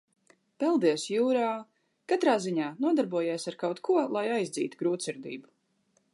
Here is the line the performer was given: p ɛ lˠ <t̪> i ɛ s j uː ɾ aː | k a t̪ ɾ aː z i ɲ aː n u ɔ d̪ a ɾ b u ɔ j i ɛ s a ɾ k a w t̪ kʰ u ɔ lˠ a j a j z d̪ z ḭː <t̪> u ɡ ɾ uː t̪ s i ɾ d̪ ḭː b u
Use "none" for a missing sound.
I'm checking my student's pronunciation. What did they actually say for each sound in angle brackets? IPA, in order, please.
d̪, t̪

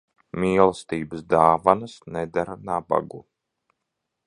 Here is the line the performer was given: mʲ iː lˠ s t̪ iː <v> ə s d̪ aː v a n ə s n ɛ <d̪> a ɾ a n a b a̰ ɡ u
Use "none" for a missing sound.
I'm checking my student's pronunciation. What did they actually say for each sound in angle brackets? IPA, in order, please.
b, d̪

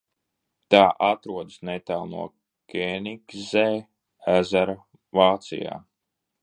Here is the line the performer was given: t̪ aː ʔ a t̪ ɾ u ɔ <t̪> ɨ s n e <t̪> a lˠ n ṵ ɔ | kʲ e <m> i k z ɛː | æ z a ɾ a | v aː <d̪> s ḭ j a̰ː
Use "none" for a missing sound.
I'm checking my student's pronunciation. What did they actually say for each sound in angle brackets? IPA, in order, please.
d̪, t̪, n, t̪

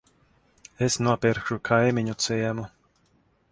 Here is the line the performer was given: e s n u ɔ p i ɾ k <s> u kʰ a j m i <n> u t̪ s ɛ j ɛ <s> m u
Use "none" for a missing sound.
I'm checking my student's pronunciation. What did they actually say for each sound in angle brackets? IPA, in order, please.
ʃ, ɲ, none

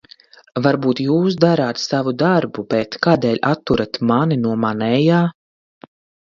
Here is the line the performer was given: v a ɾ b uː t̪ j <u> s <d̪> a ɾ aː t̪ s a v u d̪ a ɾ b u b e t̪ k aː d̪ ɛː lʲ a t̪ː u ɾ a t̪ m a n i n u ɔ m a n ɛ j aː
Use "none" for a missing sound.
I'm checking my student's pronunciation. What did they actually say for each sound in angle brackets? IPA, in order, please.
uː, d̪

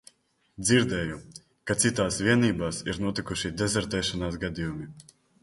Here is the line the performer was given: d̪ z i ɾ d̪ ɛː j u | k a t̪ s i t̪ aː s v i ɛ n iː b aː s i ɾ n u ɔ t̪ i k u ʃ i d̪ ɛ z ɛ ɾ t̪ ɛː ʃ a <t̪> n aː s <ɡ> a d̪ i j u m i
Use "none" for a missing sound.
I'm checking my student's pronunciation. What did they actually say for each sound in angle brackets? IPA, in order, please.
none, ɡ

